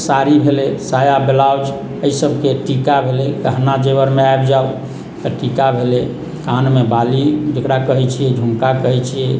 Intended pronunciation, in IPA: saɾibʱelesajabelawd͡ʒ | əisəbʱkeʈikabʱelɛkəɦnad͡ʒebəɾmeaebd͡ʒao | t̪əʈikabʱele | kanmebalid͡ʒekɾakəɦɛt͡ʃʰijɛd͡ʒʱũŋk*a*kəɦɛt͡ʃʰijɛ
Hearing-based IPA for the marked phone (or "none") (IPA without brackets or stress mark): a